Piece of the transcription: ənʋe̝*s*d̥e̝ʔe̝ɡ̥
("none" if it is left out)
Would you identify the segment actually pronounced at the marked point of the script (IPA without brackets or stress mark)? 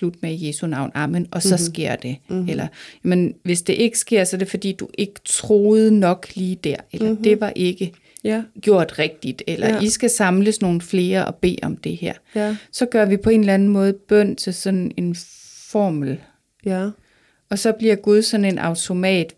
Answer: s